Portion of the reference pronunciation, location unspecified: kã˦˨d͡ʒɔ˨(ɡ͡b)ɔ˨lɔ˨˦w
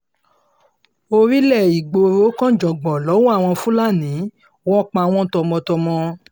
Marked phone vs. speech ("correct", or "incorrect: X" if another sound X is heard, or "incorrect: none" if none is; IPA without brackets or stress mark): correct